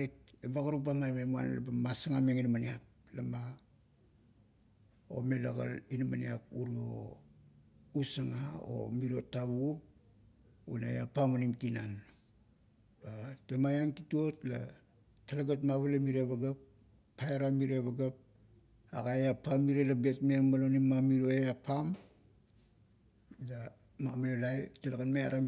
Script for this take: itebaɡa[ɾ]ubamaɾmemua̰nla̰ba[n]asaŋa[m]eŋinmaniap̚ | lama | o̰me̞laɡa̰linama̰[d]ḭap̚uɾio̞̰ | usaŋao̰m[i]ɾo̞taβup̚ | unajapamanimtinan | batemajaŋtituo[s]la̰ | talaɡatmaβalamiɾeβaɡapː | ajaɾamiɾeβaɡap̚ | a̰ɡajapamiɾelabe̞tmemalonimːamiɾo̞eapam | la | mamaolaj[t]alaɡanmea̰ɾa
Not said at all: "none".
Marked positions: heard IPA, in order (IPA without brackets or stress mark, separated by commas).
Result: ɾ, m, m, n, i, t, t